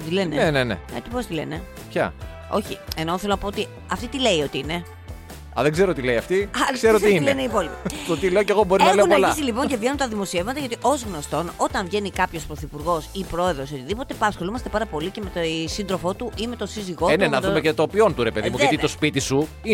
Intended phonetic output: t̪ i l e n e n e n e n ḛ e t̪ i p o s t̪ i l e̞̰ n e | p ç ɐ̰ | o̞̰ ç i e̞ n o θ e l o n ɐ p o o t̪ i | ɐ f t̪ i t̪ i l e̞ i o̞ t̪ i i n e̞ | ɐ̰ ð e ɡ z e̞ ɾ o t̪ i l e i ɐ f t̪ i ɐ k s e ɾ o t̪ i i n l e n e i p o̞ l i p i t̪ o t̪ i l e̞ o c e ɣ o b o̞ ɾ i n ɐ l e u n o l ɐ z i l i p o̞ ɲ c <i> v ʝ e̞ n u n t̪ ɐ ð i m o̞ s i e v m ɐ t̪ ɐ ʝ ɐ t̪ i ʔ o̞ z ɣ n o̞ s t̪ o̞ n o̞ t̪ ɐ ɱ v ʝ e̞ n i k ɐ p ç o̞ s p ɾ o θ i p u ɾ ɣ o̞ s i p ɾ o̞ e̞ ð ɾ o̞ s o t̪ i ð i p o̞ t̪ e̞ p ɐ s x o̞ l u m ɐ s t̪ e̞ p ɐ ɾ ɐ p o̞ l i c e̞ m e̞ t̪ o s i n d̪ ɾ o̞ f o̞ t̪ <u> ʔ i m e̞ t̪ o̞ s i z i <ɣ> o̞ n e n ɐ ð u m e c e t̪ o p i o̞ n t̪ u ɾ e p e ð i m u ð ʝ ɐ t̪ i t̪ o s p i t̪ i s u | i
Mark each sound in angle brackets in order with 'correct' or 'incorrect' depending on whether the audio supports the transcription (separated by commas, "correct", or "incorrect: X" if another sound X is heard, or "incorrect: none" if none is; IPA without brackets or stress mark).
incorrect: e, correct, correct